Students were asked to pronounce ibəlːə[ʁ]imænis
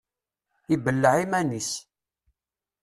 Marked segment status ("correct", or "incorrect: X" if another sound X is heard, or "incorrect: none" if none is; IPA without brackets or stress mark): incorrect: ʕ